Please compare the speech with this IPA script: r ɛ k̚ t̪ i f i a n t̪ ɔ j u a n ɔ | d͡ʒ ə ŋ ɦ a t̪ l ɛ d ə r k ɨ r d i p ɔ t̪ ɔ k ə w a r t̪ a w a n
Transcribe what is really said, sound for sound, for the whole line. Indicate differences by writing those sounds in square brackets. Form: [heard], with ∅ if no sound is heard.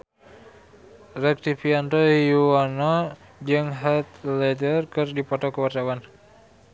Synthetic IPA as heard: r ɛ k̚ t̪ i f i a n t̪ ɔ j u a n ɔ | d͡ʒ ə ŋ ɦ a t̪ l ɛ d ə r k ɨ r d i p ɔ t̪ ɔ k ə w a r t̪ a w a n